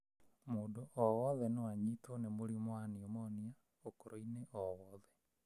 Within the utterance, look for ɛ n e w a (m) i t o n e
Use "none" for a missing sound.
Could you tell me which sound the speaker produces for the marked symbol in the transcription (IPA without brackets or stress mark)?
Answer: ɲ